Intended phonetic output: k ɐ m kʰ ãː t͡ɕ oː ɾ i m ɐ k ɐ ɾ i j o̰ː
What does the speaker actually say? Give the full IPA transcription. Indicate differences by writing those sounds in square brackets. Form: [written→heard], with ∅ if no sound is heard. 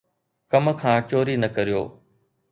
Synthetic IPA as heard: k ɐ m kʰ ãː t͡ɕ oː ɾ i [m→n] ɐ k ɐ ɾ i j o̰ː